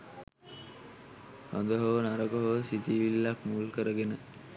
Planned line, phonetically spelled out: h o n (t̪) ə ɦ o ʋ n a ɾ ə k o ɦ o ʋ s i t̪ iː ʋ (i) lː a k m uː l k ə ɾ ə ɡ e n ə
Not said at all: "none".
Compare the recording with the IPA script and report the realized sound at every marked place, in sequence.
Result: d̪, i

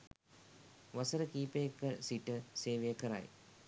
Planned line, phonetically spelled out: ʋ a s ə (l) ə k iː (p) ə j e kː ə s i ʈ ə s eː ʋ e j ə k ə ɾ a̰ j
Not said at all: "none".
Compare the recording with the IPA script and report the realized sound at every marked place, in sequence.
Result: ɾ, p

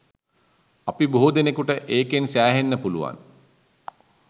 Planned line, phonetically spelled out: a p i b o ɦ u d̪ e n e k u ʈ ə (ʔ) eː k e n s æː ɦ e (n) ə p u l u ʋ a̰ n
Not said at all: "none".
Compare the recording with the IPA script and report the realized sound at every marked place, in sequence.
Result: ʔ, nː

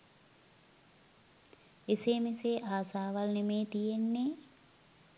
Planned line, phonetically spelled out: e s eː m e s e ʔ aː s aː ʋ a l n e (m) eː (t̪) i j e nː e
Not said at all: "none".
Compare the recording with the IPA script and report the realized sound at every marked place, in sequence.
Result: m, t̪

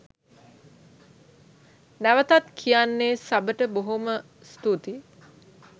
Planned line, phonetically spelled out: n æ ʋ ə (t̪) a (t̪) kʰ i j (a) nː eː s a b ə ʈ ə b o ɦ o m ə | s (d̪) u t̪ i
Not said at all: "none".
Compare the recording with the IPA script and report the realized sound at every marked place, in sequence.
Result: t̪, t̪, a, t̪

